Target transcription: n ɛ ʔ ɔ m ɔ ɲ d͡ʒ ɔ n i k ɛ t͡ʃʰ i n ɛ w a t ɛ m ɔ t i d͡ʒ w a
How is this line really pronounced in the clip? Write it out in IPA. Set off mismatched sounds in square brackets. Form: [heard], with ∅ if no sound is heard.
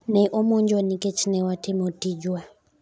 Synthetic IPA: n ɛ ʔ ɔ m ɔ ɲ d͡ʒ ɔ n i k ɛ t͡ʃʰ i n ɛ w a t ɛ m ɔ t i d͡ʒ w a

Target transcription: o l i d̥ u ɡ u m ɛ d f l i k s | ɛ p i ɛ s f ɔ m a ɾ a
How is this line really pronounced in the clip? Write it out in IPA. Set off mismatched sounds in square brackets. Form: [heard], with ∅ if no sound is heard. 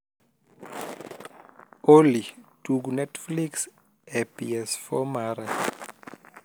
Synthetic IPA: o l i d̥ u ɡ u [n] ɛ [t] f l i k s | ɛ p i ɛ s f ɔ m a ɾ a

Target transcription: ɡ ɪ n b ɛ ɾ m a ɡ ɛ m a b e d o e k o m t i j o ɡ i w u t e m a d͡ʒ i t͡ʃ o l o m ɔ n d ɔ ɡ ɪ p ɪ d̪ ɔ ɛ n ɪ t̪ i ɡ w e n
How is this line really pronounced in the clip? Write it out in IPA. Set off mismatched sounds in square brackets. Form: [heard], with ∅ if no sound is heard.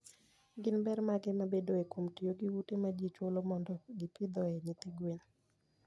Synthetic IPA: ɡ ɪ n b ɛ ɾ m a ɡ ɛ m a b e d o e k o m t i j o ɡ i w u t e m a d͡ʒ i t͡ʃ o l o m ɔ n d ɔ ɡ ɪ p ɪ d̪ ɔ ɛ n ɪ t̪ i ɡ w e n

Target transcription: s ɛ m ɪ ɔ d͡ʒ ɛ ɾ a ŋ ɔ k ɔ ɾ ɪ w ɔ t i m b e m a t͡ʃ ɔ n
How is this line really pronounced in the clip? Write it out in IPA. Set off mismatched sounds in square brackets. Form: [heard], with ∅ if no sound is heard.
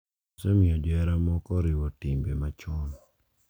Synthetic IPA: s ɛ m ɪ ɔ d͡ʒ ɛ ɾ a [m] ɔ k ɔ ɾ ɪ w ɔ t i m b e m a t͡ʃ ɔ n

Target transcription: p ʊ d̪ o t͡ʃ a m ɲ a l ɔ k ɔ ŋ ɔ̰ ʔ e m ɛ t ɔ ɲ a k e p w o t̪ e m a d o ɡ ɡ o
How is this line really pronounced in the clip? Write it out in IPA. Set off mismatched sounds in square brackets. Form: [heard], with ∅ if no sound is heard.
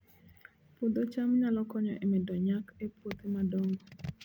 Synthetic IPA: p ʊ d̪ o t͡ʃ a m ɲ a l ɔ k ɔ [ɲ] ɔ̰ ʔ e m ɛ [d] ɔ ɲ a k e p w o t̪ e m a d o [ŋ] ɡ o

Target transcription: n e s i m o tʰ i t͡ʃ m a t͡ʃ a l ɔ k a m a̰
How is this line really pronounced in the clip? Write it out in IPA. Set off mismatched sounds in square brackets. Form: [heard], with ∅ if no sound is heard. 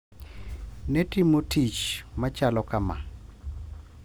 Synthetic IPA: n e [t] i m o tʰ i t͡ʃ m a t͡ʃ a l ɔ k a m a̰

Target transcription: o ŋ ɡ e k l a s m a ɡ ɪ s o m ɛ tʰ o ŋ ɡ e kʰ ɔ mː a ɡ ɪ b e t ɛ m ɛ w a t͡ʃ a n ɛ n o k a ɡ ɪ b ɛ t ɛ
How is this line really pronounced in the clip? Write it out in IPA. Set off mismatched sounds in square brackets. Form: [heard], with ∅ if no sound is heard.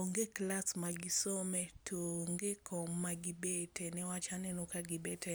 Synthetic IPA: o ŋ ɡ e k l a s m a ɡ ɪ s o m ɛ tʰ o ŋ ɡ e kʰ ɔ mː a ɡ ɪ b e t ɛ [n] ɛ w a t͡ʃ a n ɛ n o k a ɡ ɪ b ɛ t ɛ

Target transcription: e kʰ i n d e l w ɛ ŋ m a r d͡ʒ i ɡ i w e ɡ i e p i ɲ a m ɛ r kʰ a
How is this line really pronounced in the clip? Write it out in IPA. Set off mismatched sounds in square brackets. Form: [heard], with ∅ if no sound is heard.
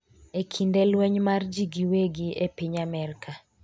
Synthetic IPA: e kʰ i n d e l w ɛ [ɲ] m a r d͡ʒ i ɡ i w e ɡ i e p i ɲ a m ɛ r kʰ a

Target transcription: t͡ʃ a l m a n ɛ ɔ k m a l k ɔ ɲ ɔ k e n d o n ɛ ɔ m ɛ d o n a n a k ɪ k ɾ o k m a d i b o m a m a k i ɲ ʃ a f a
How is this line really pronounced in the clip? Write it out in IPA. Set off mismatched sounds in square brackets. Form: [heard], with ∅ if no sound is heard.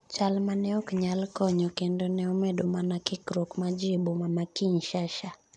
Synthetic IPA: t͡ʃ a l m a n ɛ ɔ k [ɲ] a l k ɔ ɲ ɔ k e n d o n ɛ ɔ m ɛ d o [m] a n a k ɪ k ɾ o k m a [d͡ʒ] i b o m a m a k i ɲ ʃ a [ʃ] a

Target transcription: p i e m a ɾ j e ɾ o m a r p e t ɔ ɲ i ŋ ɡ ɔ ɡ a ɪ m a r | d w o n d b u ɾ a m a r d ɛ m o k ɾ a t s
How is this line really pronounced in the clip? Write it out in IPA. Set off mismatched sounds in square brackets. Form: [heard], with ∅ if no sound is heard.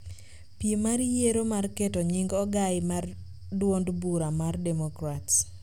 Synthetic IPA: p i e m a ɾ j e ɾ o m a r [k] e t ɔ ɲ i ŋ ɡ ɔ ɡ a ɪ m a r | d w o n d b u ɾ a m a r d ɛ m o k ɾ a t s

